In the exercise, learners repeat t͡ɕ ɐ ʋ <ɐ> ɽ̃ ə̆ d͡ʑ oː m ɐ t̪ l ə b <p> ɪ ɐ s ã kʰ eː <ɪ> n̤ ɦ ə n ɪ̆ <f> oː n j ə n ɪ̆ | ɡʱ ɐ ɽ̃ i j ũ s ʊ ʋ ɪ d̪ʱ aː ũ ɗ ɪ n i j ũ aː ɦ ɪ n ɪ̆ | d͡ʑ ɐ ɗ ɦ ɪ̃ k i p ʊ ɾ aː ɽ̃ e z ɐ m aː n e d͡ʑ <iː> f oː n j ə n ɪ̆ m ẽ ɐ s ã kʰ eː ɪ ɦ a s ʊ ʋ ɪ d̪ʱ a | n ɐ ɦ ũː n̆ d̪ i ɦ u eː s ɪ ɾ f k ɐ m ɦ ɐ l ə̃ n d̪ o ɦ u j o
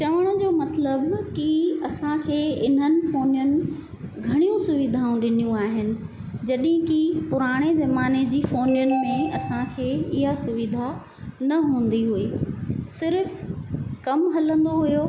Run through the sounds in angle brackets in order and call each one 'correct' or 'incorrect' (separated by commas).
incorrect, incorrect, correct, correct, correct